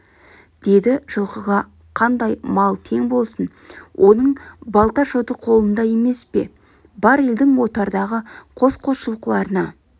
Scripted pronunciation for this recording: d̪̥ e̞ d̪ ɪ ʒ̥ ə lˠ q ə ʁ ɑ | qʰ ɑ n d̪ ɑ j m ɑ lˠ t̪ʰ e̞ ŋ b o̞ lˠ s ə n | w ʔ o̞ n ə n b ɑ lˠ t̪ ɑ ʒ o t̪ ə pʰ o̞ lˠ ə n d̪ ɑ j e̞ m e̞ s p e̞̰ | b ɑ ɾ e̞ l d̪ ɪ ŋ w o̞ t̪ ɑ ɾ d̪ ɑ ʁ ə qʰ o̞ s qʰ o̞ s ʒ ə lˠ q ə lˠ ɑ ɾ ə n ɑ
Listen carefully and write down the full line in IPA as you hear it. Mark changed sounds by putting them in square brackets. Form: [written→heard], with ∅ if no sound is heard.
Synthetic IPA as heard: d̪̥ e̞ d̪ ɪ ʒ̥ ə lˠ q ə ʁ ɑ | qʰ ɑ n d̪ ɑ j m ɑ lˠ t̪ʰ e̞ ŋ b o̞ lˠ s ə n | w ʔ o̞ n ə [n→ɴ] b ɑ lˠ t̪ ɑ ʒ o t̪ ə [pʰ→qʰ] o̞ lˠ ə n d̪ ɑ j e̞ m e̞ s p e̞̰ | b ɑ ɾ e̞ l d̪ ɪ ŋ w o̞ t̪ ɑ ɾ d̪ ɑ ʁ ə qʰ o̞ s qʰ o̞ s [ʒ→ʃ] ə lˠ q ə lˠ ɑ ɾ ə n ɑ

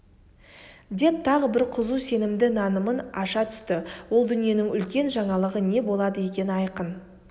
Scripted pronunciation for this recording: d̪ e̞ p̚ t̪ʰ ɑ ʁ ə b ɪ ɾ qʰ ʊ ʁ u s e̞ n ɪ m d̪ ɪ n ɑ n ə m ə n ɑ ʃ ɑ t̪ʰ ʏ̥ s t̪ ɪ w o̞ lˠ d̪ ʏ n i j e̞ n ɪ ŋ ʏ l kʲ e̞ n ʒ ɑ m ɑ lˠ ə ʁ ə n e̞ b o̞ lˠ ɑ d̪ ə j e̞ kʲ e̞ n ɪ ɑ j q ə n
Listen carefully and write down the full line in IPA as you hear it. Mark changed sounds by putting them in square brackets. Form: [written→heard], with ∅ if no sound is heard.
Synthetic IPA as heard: d̪ e̞ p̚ t̪ʰ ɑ ʁ ə b ɪ ɾ qʰ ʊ [ʁ→z] u s e̞ n ɪ m d̪ ɪ n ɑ n ə m ə n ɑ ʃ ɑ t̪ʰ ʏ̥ s t̪ ɪ w o̞ lˠ d̪ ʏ n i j e̞ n ɪ ŋ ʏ l kʲ e̞ n ʒ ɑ [m→ɴ] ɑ lˠ ə ʁ ə n e̞ b o̞ lˠ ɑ d̪ ə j e̞ kʲ e̞ n ɪ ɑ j q ə n

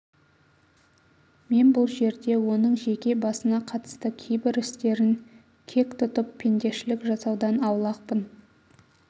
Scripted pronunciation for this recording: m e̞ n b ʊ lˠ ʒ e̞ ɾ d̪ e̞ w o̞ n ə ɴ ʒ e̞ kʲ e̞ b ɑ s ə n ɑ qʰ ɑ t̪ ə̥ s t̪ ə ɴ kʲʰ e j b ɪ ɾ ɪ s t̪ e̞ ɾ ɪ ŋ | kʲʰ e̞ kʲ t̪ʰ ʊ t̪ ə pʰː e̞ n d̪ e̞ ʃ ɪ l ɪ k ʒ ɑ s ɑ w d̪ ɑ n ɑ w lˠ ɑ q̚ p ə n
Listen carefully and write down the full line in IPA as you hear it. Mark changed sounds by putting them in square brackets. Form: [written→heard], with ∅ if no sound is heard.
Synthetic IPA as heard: m e̞ n b ʊ lˠ ʒ e̞ ɾ d̪ e̞ w o̞ n ə ɴ ʒ e̞ kʲ e̞ b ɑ s ə n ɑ qʰ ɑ t̪ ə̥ s t̪ ə [ɴ→∅] kʲʰ e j b ɪ ɾ ɪ s t̪ e̞ ɾ ɪ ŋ | kʲʰ e̞ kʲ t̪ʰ ʊ t̪ ə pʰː e̞ n d̪ e̞ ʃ ɪ l ɪ k ʒ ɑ s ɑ w d̪ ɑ n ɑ w lˠ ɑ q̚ p ə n

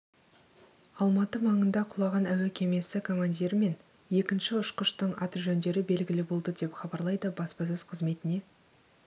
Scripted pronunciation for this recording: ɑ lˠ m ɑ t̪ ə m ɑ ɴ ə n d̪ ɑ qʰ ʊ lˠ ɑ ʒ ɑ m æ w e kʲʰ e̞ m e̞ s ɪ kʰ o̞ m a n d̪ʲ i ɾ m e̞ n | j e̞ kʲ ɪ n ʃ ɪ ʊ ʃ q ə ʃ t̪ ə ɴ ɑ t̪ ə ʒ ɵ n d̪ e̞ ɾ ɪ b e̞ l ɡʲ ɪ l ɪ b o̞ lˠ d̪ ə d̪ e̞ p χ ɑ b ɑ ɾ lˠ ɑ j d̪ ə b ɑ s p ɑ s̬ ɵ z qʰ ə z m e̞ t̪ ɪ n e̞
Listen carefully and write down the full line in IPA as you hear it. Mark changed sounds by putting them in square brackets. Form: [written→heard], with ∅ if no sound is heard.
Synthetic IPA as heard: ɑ lˠ m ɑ t̪ ə m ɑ ɴ ə n d̪ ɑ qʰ ʊ lˠ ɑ [ʒ→ʁ] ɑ [m→n] æ w e kʲʰ e̞ m e̞ s ɪ kʰ o̞ m a n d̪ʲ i ɾ m e̞ n | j e̞ kʲ ɪ n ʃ ɪ ʊ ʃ q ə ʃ t̪ ə ɴ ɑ t̪ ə ʒ ɵ n d̪ e̞ ɾ ɪ b e̞ l ɡʲ ɪ l ɪ b o̞ lˠ d̪ ə d̪ e̞ p χ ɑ b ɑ ɾ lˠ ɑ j d̪ ə b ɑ s p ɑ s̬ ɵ z qʰ ə z m e̞ t̪ ɪ n e̞

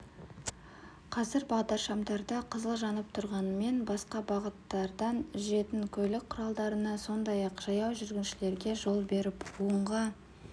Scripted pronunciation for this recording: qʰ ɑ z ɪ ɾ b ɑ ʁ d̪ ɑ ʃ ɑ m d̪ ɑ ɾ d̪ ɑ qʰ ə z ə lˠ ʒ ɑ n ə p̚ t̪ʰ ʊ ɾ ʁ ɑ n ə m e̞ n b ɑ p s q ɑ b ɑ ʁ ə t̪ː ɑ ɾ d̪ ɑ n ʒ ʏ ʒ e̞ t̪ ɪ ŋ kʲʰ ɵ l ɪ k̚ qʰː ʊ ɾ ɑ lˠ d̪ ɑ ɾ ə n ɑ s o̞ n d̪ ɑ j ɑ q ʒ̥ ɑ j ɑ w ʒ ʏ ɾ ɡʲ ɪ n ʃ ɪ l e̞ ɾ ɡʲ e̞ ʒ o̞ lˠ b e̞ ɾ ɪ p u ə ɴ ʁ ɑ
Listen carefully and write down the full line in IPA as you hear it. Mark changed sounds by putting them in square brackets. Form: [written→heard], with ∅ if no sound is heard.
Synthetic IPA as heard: qʰ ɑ z ɪ ɾ b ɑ ʁ d̪ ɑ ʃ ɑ m d̪ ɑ ɾ d̪ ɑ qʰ ə z ə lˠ ʒ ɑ n ə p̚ t̪ʰ ʊ ɾ ʁ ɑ n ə m e̞ n b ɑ [p→∅] s q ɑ b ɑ ʁ ə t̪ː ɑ ɾ d̪ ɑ n ʒ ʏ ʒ e̞ t̪ ɪ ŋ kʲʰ ɵ l ɪ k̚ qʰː ʊ ɾ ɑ lˠ d̪ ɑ ɾ ə n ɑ s o̞ n d̪ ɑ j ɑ q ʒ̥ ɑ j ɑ w ʒ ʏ ɾ ɡʲ ɪ n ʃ ɪ l e̞ ɾ ɡʲ e̞ ʒ o̞ lˠ b e̞ ɾ ɪ p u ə ɴ ʁ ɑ

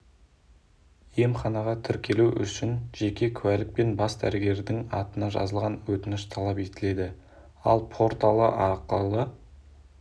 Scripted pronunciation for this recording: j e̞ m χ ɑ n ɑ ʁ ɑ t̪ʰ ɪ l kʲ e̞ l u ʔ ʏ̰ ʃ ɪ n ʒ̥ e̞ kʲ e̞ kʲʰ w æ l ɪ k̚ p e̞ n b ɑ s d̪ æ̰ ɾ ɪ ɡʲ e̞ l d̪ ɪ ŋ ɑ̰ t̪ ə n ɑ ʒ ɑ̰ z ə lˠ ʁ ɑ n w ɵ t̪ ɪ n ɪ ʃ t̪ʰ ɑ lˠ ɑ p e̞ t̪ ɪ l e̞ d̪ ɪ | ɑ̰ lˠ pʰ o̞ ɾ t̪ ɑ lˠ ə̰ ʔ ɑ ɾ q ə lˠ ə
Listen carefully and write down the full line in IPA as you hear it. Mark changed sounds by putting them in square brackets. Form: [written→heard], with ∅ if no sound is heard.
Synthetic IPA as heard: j e̞ m χ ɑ n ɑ ʁ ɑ t̪ʰ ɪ [l→ɾ] kʲ e̞ l u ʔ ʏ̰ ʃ ɪ n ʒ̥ e̞ kʲ e̞ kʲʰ w æ l ɪ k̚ p e̞ n b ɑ s d̪ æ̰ ɾ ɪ ɡʲ e̞ [l→ɾ] d̪ ɪ ŋ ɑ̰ t̪ ə n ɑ ʒ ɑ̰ z ə lˠ ʁ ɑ n w ɵ t̪ ɪ n ɪ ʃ t̪ʰ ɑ lˠ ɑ p e̞ t̪ ɪ l e̞ d̪ ɪ | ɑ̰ lˠ pʰ o̞ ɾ t̪ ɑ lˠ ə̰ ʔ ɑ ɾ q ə lˠ ə

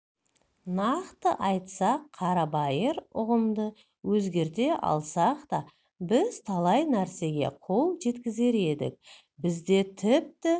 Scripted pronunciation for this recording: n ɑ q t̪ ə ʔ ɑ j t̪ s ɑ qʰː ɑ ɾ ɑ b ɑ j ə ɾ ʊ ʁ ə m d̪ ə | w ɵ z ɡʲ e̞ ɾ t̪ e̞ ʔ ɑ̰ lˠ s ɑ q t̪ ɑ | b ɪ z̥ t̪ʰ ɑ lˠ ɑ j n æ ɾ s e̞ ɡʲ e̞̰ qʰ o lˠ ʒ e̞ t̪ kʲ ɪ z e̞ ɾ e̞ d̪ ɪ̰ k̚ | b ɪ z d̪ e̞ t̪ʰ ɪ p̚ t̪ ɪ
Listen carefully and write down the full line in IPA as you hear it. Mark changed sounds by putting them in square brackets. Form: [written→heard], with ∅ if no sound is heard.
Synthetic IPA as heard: n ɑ q t̪ ə ʔ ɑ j t̪ s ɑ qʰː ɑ ɾ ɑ b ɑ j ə ɾ ʊ ʁ ə m d̪ ə | w ɵ z ɡʲ e̞ ɾ t̪ e̞ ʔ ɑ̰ lˠ s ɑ q t̪ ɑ | b ɪ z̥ t̪ʰ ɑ lˠ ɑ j n æ ɾ s e̞ ɡʲ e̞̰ qʰ o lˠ ʒ e̞ t̪ kʲ ɪ z e̞ ɾ e̞ d̪ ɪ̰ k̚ | b ɪ z d̪ e̞ t̪ʰ ɪ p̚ t̪ ɪ

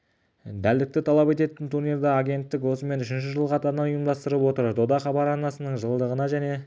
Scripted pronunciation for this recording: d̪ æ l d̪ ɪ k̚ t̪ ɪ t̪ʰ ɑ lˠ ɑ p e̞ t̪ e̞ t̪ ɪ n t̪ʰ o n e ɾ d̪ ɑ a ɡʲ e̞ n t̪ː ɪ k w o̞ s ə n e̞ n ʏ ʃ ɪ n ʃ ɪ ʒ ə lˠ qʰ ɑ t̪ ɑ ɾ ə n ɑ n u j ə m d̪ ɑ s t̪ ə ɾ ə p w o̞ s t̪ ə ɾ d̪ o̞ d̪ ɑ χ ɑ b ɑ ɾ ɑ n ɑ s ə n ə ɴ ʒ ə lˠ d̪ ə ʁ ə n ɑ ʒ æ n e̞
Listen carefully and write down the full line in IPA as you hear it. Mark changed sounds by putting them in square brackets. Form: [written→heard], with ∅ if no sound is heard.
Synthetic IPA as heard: d̪ æ l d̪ ɪ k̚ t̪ ɪ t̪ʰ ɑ lˠ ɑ p e̞ t̪ e̞ t̪ ɪ n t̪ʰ [o→u] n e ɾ d̪ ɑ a ɡʲ e̞ n t̪ː ɪ k w o̞ s ə [n→m] e̞ n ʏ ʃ ɪ n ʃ ɪ ʒ ə lˠ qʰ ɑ t̪ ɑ ɾ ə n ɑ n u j ə m d̪ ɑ s t̪ ə ɾ ə p w o̞ [s→∅] t̪ ə ɾ d̪ o̞ d̪ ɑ χ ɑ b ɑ ɾ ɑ n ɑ s ə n ə ɴ ʒ ə lˠ d̪ ə ʁ ə n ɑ ʒ æ n e̞

